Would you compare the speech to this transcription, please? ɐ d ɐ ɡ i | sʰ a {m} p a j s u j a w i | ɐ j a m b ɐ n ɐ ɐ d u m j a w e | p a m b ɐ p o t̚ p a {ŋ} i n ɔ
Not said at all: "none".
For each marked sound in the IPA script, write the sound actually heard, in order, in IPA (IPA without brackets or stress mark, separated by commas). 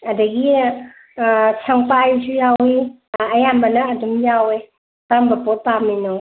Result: ŋ, m